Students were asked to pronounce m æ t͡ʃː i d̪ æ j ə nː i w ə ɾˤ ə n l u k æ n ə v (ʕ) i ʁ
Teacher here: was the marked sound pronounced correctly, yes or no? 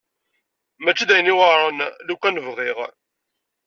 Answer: no